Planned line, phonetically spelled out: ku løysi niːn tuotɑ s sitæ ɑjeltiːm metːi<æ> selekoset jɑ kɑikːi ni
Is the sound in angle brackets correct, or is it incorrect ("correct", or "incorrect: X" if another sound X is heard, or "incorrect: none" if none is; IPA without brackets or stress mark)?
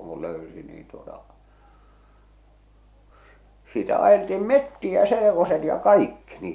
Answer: correct